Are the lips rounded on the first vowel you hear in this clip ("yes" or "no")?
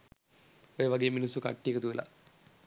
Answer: yes